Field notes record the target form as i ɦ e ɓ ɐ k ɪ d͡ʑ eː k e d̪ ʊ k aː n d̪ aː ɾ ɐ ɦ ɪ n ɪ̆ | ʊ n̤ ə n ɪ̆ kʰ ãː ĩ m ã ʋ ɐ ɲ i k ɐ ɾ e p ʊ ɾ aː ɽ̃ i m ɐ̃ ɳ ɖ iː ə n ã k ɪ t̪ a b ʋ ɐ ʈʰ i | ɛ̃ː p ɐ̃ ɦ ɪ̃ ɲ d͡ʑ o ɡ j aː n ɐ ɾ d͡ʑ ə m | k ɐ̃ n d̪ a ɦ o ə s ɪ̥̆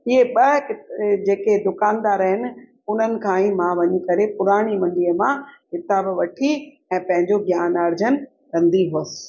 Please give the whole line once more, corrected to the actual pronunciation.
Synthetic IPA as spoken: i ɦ e ɓ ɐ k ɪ d͡ʑ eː k e d̪ ʊ k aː n d̪ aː ɾ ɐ ɦ ɪ n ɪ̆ | ʊ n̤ ə n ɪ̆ kʰ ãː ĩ m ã ʋ ɐ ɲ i k ɐ ɾ e p ʊ ɾ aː ɽ̃ i m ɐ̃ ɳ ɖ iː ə m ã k ɪ t̪ a b ʋ ɐ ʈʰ i | ɛ̃ː p ɐ̃ ɦ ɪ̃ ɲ d͡ʑ o ɡ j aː n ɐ ɾ d͡ʑ ə n | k ɐ̃ n d̪ i ɦ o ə s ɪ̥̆